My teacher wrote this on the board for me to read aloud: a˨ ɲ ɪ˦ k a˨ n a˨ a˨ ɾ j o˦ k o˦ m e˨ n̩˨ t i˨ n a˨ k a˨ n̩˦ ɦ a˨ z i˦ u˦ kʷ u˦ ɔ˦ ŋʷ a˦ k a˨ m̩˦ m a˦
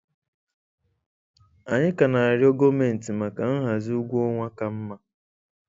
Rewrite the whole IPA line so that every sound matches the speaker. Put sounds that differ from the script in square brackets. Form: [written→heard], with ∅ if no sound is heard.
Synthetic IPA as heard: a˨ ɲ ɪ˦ k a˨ n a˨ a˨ ɾ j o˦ [k→ɡ] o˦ m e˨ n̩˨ t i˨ [n→m] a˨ k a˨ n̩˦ ɦ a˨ z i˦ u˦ [kʷ→ɡʷ] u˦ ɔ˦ ŋʷ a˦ k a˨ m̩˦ m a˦